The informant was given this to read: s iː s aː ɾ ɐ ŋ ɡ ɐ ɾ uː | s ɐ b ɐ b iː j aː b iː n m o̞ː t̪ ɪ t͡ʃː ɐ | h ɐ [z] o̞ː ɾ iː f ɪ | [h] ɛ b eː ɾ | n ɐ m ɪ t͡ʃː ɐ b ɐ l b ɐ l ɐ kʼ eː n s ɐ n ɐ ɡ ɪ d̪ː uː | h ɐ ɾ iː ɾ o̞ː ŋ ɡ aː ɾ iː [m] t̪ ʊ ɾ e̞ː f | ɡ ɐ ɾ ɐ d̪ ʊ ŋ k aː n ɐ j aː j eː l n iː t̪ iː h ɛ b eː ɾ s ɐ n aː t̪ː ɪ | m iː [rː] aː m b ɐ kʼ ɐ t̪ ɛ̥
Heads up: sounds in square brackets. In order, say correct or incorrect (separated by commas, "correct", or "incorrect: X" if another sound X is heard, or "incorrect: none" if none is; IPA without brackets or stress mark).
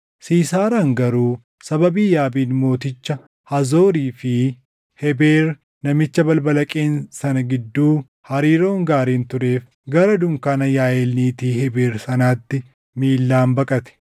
correct, correct, incorrect: n, incorrect: lː